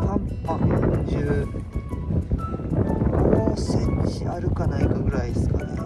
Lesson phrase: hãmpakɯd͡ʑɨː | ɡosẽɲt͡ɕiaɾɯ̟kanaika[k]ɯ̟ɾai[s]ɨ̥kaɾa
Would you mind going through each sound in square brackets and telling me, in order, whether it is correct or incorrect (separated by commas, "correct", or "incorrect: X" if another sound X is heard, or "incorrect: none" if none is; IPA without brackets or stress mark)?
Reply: incorrect: ɡ, correct